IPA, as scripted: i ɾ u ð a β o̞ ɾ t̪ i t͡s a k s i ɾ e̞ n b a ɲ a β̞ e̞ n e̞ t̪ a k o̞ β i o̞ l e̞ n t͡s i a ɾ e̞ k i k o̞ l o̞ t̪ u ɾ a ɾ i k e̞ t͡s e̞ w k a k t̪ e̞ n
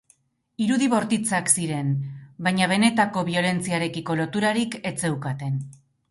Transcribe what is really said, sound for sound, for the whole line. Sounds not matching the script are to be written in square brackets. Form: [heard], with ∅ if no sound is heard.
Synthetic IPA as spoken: i ɾ u ð [i] β o̞ ɾ t̪ i t͡s a k s i ɾ e̞ n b a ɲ a β̞ e̞ n e̞ t̪ a k o̞ β i o̞ l e̞ n t͡s i a ɾ e̞ k i k o̞ l o̞ t̪ u ɾ a ɾ i k e̞ t͡s e̞ w k a [∅] t̪ e̞ n